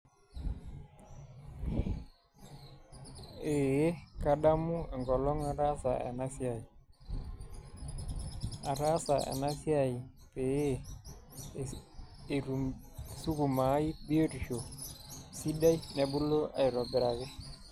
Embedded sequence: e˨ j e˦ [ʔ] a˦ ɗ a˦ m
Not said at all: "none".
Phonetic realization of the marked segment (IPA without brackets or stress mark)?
k